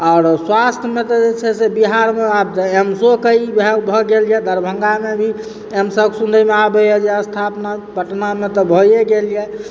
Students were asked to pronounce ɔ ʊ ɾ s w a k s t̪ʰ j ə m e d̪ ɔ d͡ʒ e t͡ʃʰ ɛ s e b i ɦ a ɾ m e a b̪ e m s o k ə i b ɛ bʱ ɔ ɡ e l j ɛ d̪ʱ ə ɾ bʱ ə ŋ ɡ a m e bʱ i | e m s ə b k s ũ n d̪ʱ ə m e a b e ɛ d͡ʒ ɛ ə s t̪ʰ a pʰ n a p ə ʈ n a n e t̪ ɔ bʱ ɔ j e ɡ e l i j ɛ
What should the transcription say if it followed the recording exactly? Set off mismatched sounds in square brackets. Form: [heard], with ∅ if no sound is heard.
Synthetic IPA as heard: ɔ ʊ ɾ s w a [∅] s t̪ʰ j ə m e [t̪] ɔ d͡ʒ e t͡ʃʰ ɛ s e b i ɦ a ɾ m e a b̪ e m s o k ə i b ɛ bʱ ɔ ɡ e l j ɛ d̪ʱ ə ɾ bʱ ə ŋ ɡ a m e bʱ i | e m s ə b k s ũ n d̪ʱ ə m e a b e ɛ d͡ʒ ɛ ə s t̪ʰ a [p] n a p ə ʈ n a [m] e t̪ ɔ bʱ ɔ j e ɡ e l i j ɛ